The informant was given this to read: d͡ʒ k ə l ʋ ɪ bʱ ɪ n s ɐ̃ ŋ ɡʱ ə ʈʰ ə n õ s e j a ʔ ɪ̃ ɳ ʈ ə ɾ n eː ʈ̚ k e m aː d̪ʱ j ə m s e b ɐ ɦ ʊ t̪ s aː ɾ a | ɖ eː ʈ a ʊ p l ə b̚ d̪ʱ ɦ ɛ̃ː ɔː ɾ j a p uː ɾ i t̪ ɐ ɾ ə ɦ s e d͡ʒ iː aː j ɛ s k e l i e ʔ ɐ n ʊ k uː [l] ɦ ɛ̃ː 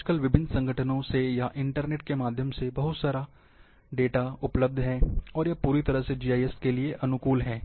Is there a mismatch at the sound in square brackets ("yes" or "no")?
no